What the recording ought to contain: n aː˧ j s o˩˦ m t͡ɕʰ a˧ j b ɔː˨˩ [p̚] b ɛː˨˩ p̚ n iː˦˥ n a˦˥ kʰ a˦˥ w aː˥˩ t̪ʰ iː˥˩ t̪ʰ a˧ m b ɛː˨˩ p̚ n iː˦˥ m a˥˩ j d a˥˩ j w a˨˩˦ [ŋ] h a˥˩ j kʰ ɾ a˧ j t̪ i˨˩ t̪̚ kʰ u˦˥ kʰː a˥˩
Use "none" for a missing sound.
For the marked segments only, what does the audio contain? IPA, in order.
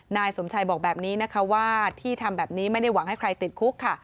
k̚, ŋ

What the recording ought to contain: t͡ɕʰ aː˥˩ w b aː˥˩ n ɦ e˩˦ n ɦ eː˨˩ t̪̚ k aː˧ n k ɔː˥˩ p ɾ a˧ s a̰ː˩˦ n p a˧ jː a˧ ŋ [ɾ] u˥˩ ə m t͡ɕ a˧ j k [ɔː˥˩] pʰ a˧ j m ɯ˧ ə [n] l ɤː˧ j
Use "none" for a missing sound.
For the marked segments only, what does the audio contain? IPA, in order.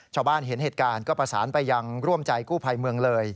ɾ, uː˥˩, ŋ

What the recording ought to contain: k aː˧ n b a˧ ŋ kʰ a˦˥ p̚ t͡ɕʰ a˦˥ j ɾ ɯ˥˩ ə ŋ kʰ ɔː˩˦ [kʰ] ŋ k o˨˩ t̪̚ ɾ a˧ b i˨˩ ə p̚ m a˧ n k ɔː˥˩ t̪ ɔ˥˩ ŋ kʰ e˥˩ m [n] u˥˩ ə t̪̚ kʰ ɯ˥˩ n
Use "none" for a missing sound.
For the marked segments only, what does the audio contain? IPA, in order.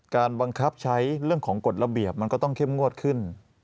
none, ŋ

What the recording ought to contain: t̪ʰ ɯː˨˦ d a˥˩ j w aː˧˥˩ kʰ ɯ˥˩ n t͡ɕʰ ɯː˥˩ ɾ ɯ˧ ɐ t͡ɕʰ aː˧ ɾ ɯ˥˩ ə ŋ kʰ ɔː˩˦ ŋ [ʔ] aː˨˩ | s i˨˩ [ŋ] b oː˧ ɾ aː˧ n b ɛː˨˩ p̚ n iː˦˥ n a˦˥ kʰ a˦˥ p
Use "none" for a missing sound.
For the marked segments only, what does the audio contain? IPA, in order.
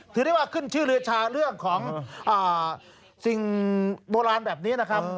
ʔ, ŋ

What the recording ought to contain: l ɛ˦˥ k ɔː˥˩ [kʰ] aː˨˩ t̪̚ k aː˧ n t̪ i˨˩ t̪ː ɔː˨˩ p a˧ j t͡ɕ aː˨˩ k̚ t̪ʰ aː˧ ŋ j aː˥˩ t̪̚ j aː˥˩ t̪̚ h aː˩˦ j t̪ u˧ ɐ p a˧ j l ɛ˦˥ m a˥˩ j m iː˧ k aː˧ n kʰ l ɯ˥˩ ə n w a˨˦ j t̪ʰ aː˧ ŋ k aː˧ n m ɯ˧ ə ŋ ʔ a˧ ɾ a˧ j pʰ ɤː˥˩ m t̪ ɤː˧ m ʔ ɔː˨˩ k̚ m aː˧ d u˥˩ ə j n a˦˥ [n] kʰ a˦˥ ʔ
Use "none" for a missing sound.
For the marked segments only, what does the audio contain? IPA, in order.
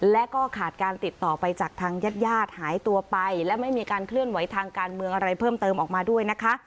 kʰ, none

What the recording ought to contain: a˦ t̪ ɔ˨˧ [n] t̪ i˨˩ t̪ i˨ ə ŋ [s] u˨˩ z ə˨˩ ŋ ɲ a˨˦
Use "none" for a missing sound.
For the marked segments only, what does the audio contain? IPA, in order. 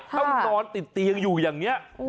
n, z

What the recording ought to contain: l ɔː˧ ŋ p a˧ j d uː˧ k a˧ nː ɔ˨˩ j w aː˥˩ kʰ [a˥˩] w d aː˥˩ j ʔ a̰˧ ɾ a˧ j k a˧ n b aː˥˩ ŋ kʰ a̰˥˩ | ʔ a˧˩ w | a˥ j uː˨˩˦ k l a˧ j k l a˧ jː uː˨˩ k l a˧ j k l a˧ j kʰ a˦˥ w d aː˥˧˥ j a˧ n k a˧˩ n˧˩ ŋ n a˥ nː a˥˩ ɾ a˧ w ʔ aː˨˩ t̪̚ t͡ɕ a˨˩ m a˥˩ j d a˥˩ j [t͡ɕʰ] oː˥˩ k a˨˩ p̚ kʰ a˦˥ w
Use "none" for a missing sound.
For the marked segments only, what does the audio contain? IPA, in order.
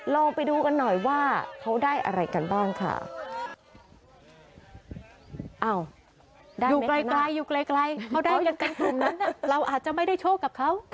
a˦˥, t͡ɕʰ

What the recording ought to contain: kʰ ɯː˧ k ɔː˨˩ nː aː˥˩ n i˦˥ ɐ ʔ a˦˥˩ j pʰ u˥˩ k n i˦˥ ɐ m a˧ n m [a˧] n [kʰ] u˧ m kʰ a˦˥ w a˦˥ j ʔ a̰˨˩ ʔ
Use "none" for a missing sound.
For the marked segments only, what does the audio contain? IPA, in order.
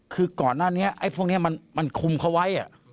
a˧, kʰ

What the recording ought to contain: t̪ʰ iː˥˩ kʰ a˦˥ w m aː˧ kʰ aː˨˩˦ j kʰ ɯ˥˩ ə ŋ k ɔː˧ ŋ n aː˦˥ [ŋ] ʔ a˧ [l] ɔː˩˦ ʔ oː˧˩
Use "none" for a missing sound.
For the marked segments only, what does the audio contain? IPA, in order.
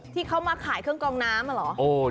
m, l

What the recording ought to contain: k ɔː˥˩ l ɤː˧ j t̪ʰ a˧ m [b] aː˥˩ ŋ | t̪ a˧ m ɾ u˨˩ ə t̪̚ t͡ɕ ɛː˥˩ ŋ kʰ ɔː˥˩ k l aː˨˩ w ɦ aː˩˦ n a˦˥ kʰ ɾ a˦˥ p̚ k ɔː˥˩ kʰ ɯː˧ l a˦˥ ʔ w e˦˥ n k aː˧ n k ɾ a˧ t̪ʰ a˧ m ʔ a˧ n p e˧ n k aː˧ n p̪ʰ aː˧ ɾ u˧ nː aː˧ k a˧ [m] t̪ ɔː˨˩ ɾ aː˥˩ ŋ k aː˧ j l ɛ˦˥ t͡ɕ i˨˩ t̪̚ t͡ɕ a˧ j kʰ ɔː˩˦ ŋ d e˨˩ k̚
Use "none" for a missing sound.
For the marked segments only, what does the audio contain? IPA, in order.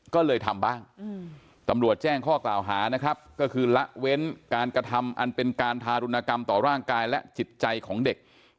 b, m

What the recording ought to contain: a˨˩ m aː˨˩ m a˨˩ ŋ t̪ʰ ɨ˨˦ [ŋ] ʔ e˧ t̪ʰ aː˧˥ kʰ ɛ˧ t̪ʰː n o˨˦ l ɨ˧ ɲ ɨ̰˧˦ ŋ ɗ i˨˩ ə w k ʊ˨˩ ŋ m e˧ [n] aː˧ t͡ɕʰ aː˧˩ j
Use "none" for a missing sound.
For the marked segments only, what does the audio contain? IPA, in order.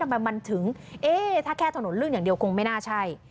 ŋ, n

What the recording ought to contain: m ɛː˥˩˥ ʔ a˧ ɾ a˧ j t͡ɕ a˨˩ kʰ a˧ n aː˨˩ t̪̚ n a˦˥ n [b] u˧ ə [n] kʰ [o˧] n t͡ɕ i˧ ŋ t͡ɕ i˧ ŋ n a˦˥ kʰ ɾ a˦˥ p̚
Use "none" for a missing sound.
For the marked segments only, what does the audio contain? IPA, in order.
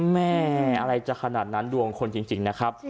d, ŋ, o˧

